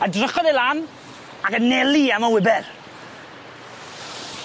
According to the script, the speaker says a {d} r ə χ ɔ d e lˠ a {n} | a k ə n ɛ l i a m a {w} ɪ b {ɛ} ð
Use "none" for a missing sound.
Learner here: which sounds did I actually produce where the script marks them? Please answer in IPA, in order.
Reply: d, n, w, ɛ

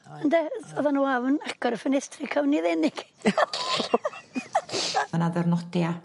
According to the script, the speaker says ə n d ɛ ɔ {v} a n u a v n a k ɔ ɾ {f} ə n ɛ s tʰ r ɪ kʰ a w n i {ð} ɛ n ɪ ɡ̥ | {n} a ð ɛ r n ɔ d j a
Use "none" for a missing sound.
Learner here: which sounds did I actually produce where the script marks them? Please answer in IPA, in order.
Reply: ð, f, ð, n

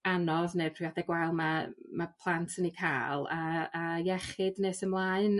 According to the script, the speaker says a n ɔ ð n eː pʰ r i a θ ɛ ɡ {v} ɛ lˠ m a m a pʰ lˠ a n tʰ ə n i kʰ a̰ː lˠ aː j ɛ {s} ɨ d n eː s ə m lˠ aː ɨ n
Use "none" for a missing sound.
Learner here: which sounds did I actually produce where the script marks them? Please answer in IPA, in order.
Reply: w, χ

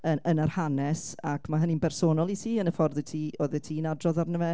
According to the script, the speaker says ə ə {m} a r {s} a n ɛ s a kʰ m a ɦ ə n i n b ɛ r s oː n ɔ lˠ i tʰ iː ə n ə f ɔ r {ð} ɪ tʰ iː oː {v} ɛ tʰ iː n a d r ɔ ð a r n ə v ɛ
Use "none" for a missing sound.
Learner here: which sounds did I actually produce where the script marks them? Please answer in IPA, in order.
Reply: n, h, ð, ð

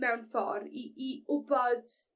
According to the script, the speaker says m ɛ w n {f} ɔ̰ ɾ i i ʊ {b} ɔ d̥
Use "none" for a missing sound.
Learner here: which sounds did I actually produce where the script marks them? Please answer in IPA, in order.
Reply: f, b

